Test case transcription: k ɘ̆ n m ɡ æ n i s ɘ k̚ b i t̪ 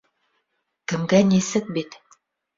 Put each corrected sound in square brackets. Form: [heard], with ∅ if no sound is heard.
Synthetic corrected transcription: k ɘ̆ [∅] m ɡ æ n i s ɘ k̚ b i t̪